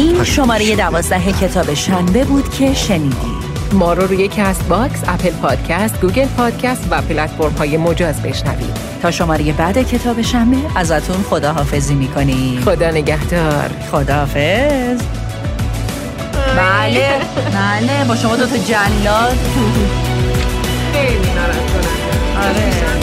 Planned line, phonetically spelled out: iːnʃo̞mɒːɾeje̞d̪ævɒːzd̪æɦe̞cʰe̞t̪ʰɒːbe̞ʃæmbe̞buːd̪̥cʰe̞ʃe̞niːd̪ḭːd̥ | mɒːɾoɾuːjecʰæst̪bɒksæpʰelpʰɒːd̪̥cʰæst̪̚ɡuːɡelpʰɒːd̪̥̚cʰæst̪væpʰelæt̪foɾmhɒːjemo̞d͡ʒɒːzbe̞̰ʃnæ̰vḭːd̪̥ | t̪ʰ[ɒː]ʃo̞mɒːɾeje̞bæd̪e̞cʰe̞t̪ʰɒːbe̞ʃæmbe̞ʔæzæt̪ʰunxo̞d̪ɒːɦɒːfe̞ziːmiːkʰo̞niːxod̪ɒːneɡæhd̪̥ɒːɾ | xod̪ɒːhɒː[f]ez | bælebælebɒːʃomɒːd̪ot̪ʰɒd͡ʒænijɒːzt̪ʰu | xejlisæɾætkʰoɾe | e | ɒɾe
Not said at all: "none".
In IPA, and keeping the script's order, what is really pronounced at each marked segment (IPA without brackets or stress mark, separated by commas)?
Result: ɒː, f